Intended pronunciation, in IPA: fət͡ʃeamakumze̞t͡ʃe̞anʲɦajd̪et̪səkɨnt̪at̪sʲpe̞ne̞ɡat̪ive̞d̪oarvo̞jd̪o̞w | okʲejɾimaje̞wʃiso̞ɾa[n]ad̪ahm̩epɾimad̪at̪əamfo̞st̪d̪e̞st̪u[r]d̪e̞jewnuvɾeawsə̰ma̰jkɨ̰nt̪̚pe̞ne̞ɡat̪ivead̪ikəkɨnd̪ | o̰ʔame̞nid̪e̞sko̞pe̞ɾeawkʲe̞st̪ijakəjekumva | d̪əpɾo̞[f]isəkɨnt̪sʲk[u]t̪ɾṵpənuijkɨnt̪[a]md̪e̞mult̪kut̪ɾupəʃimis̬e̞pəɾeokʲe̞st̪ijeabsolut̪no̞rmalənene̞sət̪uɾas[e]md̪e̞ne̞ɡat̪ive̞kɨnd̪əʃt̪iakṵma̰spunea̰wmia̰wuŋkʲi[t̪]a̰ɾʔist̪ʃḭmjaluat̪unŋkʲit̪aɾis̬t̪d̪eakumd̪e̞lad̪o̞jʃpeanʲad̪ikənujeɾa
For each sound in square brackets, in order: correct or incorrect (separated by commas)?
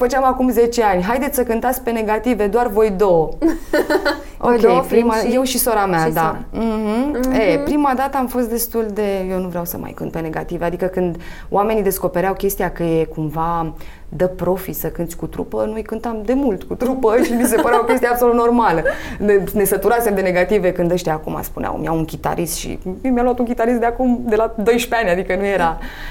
incorrect, incorrect, correct, correct, correct, correct, correct